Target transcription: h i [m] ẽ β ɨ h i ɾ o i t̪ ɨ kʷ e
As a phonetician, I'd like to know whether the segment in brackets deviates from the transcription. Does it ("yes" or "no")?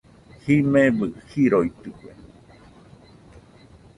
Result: no